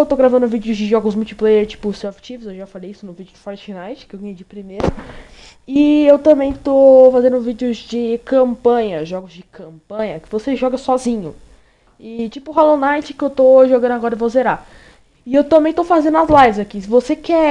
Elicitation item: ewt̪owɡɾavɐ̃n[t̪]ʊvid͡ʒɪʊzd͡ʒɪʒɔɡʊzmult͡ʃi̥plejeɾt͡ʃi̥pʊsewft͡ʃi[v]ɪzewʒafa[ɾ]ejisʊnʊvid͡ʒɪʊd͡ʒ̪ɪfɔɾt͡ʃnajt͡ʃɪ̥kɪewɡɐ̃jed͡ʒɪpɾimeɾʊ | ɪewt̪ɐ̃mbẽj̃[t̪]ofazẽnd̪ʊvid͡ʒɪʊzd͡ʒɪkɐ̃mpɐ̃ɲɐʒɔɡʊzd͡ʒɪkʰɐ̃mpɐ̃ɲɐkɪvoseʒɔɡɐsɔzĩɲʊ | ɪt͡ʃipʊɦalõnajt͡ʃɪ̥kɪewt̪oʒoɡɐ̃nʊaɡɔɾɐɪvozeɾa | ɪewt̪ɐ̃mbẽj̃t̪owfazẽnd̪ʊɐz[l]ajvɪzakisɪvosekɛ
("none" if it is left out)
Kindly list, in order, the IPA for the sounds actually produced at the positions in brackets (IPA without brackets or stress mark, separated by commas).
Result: d̪, v, l, t̪, l